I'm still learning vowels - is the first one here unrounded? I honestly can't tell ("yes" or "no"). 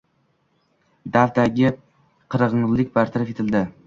yes